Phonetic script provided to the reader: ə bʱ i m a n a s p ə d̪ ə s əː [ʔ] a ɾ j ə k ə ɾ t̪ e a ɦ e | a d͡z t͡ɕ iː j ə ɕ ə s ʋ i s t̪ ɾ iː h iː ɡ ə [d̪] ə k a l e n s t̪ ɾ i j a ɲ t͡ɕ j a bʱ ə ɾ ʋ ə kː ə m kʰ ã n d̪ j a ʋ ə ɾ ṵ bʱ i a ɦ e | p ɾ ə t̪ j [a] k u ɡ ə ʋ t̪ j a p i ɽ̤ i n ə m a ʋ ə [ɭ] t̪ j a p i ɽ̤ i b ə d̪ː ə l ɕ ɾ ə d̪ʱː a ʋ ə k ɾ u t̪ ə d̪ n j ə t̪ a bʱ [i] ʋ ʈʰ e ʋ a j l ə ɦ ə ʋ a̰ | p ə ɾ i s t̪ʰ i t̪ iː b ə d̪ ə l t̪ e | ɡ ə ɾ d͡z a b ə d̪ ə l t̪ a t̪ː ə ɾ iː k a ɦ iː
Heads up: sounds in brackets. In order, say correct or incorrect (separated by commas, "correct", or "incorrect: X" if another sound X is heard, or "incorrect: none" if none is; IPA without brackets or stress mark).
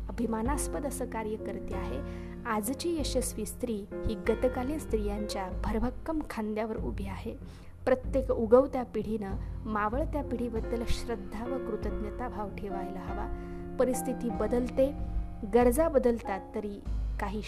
incorrect: k, incorrect: t̪, incorrect: e, correct, incorrect: a